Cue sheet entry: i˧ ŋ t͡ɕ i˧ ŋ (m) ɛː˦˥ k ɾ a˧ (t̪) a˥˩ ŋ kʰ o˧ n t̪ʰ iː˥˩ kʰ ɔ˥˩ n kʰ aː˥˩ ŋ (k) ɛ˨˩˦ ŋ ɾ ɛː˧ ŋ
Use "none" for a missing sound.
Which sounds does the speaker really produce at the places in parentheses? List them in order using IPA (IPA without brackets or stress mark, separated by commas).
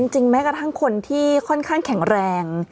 m, t̪ʰ, kʰ